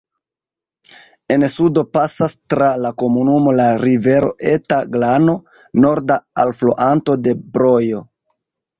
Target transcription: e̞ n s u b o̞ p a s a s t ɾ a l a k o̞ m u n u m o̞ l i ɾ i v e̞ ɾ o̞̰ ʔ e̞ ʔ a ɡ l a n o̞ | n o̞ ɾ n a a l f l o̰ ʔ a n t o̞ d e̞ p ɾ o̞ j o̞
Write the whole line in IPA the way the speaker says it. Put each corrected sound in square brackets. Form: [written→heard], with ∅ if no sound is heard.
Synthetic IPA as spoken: e̞ n s u [b→d] o̞ p a s a s t ɾ a l a k o̞ m u n u m o̞ l [i→a] ɾ i v e̞ ɾ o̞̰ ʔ e̞ [ʔ→t] a ɡ l a n o̞ | n o̞ ɾ [n→d] a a l f l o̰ ʔ a n t o̞ d e̞ [p→b] ɾ o̞ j o̞